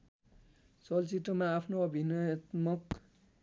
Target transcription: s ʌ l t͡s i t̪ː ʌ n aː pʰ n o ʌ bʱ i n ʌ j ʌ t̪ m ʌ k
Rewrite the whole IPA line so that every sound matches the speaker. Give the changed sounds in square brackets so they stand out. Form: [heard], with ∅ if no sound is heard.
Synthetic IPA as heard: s ʌ l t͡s i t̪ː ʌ [m] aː pʰ n o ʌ bʱ i n ʌ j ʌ t̪ m ʌ k